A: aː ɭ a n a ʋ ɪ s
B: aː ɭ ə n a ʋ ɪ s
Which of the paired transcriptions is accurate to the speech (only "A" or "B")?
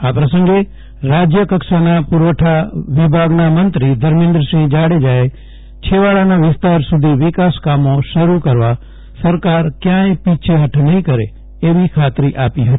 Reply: A